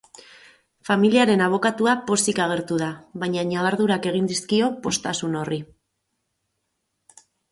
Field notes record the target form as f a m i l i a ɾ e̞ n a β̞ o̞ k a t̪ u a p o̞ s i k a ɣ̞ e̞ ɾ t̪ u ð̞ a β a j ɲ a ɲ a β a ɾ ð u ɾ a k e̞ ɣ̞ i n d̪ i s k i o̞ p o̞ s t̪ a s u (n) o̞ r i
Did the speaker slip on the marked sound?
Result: no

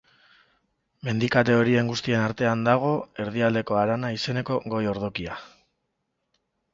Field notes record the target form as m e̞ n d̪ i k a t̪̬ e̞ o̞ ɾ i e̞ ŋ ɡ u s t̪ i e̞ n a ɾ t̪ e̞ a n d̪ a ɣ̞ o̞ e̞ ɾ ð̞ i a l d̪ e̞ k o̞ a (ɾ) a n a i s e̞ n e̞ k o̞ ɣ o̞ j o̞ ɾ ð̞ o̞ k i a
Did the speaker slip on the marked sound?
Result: no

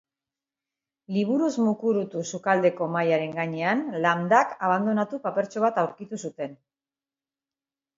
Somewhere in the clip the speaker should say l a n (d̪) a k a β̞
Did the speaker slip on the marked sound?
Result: no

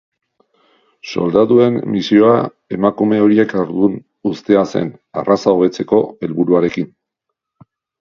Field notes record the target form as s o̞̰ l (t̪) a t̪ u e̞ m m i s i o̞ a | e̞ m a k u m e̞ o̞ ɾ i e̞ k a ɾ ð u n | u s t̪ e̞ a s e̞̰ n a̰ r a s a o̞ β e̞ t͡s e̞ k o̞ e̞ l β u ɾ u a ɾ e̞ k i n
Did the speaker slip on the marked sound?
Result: yes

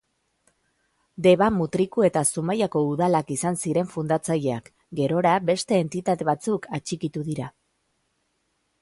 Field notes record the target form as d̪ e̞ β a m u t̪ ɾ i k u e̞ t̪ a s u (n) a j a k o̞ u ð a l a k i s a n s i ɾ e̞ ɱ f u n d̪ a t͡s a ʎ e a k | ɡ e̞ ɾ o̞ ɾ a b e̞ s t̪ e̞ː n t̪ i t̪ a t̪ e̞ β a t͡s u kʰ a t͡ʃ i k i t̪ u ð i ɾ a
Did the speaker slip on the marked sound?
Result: yes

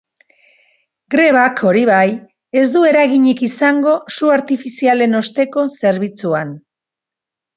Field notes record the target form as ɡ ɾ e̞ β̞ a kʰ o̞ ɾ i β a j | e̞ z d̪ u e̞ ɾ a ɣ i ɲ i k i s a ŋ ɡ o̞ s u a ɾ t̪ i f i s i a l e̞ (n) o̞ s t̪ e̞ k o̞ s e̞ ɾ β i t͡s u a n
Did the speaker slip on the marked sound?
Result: no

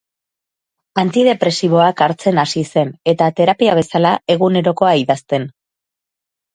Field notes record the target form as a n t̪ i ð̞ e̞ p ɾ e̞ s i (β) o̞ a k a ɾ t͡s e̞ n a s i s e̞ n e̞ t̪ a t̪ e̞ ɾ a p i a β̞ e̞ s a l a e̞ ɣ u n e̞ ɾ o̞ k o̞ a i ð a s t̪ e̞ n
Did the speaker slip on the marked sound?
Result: no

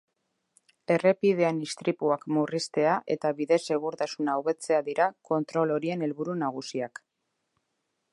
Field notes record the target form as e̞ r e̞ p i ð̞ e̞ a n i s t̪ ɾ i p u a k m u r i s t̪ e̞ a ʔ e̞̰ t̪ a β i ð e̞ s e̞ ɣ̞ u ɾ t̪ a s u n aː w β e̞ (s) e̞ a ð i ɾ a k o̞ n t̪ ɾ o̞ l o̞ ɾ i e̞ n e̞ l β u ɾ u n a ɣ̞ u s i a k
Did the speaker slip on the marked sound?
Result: yes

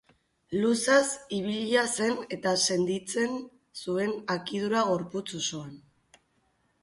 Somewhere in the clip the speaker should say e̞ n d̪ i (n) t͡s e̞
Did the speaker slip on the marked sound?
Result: yes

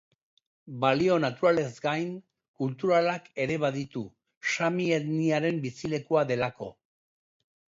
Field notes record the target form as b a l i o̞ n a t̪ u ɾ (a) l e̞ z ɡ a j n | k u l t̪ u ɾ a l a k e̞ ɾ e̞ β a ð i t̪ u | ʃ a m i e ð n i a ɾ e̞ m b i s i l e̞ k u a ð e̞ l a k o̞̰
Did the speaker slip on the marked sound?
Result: no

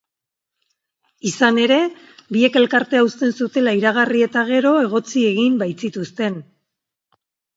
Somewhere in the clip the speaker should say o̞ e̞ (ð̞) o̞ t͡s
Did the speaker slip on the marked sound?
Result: yes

